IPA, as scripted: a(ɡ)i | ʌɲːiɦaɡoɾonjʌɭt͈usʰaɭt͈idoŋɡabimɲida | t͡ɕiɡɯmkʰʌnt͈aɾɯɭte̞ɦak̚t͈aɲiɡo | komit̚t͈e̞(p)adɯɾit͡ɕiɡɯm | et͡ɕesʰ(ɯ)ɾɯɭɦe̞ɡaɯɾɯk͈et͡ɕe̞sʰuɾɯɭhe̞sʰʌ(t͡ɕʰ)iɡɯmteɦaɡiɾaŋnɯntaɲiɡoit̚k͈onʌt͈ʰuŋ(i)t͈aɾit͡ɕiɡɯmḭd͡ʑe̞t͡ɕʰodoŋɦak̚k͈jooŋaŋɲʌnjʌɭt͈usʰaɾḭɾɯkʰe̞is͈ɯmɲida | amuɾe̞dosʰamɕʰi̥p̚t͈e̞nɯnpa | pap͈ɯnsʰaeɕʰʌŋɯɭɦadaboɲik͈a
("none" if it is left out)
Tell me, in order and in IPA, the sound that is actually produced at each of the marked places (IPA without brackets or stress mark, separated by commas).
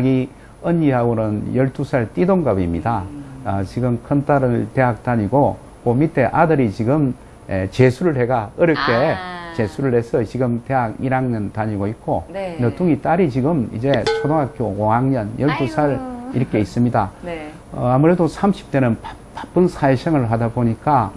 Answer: ɡ, ʔ, u, t͡ɕ, i